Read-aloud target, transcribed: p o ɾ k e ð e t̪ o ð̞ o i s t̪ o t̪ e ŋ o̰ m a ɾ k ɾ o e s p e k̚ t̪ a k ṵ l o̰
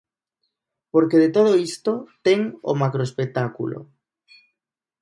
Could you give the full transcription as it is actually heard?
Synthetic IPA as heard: p o ɾ k e ð e t̪ o ð̞ o i s t̪ o t̪ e ŋ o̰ m a k ɾ o e s p e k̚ t̪ a k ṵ l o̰